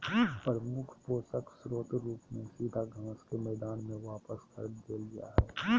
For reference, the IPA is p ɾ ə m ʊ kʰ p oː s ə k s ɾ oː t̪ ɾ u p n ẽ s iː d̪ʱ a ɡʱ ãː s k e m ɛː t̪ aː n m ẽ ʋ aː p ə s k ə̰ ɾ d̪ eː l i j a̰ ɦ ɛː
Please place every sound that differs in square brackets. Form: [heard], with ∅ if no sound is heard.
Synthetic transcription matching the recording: p ɾ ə m ʊ kʰ p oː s ə k s ɾ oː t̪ ɾ [uː] p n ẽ s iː d̪ʱ a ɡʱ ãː s k e m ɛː [d̪] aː n m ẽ ʋ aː p ə s k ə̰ ɾ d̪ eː l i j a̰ ɦ ɛː